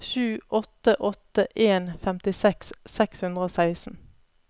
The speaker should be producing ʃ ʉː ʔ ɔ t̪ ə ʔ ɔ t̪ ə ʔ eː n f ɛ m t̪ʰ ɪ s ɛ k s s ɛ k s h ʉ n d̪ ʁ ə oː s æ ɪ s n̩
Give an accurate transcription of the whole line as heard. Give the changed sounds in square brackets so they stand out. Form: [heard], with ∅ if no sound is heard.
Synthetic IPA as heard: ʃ ʉː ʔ ɔ t̪ ə ʔ ɔ t̪ ə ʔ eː n f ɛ m [t̪] ɪ s ɛ k s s ɛ k s h ʉ n d̪ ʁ ə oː s æ ɪ s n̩